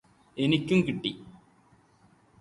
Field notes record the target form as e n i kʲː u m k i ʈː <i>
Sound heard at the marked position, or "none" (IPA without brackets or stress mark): i